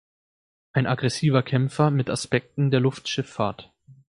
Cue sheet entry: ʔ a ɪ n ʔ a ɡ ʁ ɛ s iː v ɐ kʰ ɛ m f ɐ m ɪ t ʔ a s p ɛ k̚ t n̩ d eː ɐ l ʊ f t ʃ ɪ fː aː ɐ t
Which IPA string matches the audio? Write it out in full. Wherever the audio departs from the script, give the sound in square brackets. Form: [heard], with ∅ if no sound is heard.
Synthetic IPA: ʔ a ɪ n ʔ a ɡ ʁ ɛ s iː v ɐ kʰ ɛ m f ɐ m ɪ t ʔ a s p ɛ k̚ t n̩ d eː ɐ l ʊ f t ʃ ɪ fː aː ɐ t